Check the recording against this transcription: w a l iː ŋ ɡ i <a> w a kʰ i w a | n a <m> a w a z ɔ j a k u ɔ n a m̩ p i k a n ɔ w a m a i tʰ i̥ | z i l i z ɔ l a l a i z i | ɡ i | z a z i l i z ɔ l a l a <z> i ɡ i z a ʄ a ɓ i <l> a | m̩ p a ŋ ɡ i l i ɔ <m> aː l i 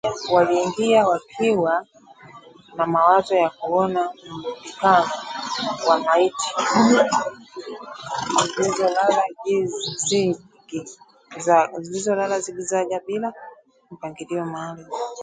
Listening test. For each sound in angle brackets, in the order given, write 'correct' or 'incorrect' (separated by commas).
correct, correct, correct, correct, correct